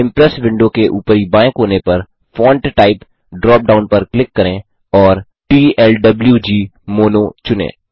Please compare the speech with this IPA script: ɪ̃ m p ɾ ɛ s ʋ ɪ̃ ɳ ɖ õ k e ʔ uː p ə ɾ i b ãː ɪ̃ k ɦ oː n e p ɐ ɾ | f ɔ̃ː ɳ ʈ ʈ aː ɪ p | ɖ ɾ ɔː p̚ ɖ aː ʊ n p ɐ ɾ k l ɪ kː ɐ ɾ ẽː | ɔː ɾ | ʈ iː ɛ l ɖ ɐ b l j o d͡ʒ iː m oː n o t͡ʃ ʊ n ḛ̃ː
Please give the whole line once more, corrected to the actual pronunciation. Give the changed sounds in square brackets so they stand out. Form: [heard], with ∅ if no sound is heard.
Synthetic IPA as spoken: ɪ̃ m p ɾ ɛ s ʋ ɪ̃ ɳ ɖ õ k e ʔ uː p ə ɾ i b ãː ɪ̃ k ɦ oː n e p ɐ ɾ | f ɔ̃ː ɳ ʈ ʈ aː ɪ p | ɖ ɾ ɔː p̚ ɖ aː ʊ n p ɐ ɾ k l ɪ kː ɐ ɾ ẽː | ɔː ɾ | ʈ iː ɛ l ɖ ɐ b l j [u] d͡ʒ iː m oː n o t͡ʃ ʊ n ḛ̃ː